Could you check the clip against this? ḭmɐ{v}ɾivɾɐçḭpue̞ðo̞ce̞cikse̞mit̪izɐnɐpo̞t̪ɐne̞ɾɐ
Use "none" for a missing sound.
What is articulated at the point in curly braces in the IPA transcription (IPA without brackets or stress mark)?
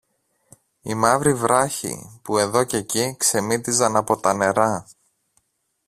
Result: v